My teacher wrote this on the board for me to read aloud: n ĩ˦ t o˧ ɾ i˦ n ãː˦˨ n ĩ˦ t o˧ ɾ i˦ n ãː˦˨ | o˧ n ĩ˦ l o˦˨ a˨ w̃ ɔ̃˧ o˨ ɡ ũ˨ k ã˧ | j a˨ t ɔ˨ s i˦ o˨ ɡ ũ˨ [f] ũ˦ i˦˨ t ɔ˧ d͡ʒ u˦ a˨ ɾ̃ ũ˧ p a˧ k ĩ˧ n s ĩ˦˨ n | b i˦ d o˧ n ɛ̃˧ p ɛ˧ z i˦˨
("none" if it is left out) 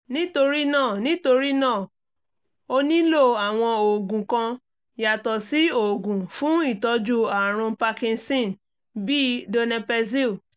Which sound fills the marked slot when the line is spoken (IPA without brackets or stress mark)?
f